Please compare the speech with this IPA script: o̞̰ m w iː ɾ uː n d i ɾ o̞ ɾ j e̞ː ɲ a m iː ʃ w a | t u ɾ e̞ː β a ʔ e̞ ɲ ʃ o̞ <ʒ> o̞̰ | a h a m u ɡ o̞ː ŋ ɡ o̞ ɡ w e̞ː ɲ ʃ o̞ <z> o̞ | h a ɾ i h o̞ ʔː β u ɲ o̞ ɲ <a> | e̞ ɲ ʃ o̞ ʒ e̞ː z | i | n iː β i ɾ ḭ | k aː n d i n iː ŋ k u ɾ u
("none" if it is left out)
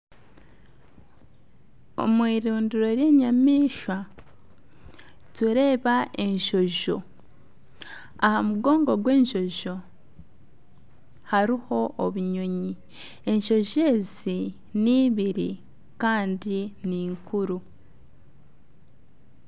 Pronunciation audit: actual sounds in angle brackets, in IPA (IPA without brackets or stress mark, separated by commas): ʒ, ʒ, i